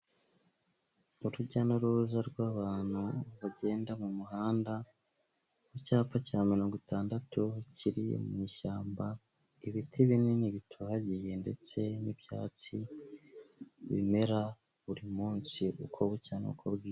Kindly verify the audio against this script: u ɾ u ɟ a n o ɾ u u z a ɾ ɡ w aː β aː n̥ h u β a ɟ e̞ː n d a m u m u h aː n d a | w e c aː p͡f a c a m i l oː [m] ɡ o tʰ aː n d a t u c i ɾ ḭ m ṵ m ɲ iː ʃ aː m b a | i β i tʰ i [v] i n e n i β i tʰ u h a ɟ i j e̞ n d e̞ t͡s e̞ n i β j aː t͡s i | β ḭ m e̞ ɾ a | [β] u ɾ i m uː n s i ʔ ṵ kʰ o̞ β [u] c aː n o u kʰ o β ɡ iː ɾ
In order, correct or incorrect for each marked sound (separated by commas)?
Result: incorrect, incorrect, correct, correct